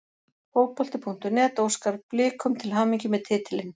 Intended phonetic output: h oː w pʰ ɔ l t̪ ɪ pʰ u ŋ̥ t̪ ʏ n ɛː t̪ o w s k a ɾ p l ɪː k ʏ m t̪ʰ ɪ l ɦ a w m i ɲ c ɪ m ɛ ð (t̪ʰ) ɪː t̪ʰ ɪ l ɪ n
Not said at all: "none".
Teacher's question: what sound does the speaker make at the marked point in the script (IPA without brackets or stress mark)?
t̪ʰ